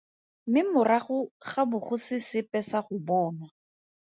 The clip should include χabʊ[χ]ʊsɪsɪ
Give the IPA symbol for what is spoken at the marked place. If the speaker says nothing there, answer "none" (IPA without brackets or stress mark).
χ